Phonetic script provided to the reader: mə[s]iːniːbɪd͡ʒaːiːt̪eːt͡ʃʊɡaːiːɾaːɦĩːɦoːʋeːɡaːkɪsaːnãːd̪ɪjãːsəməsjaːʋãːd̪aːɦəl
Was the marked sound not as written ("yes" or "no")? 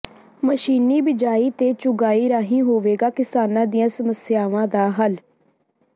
yes